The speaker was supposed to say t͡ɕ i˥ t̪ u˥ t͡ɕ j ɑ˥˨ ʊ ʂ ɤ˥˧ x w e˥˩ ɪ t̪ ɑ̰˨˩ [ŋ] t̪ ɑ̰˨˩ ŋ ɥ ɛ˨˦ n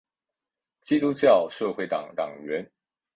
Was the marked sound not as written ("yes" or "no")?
no